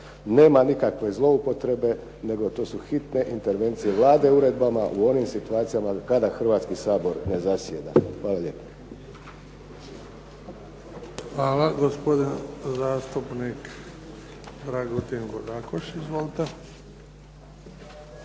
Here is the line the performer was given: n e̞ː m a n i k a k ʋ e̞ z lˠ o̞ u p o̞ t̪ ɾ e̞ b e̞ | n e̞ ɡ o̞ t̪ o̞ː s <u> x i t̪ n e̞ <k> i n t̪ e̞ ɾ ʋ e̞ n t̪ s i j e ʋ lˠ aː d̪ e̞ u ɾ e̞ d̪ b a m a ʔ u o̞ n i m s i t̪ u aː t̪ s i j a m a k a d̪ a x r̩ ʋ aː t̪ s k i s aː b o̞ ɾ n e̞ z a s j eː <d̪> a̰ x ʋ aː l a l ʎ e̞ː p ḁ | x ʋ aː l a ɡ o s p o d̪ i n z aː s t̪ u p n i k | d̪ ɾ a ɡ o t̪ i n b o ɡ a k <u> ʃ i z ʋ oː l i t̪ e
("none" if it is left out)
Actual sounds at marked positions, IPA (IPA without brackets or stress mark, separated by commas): u, ʔ, d̪, o